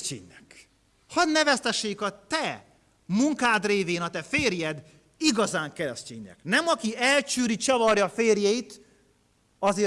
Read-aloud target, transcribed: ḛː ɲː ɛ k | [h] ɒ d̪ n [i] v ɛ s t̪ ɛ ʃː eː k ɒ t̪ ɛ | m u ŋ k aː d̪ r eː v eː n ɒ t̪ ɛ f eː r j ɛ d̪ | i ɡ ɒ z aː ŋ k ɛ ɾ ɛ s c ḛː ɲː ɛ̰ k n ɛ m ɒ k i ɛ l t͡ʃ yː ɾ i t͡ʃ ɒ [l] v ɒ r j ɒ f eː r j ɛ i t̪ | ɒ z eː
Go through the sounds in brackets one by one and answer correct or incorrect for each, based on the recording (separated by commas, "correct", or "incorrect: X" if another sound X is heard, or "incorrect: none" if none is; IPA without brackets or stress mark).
correct, incorrect: ɛ, incorrect: none